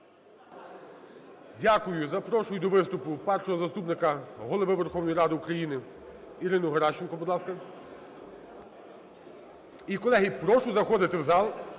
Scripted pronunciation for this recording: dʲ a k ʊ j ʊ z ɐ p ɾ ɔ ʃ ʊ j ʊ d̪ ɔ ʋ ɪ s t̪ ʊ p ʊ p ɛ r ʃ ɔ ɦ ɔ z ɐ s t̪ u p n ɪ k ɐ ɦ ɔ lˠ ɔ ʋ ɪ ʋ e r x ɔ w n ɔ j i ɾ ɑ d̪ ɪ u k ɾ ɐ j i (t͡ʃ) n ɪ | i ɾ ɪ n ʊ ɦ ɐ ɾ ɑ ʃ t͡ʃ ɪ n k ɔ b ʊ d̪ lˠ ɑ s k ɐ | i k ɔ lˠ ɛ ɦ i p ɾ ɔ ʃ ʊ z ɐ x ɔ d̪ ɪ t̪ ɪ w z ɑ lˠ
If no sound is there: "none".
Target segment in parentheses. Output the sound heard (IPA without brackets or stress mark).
none